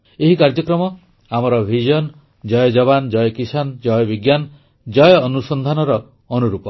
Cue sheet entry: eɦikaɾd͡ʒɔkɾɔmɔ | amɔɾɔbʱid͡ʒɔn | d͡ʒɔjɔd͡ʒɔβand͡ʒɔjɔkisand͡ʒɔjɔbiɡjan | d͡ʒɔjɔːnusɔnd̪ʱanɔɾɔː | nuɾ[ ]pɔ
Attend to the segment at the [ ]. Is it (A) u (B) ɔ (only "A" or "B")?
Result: A